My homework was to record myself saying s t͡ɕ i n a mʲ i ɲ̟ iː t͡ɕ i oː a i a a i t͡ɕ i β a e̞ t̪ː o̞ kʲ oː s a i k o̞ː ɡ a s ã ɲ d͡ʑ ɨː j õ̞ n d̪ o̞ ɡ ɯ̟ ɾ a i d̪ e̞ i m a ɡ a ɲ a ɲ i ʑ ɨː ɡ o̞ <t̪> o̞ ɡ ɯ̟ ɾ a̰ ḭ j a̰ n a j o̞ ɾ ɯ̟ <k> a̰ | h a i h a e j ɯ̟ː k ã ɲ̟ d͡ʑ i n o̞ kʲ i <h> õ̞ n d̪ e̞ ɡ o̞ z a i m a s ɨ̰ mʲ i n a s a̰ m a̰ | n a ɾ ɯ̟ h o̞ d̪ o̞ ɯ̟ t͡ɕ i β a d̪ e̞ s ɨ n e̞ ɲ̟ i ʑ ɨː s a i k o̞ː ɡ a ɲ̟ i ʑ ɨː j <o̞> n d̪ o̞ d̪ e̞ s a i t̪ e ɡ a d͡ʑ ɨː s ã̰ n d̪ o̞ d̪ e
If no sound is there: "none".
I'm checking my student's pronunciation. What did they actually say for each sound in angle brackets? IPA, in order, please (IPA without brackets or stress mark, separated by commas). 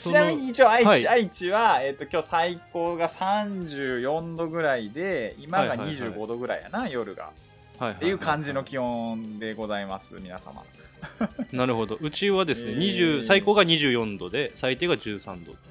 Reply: d̪, ɡ, h, õ̞